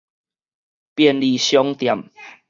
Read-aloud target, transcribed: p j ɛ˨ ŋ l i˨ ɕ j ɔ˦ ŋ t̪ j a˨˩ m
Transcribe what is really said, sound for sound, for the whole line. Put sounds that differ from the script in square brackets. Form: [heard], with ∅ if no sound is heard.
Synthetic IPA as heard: p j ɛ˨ [n] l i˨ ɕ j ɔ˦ ŋ t̪ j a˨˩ m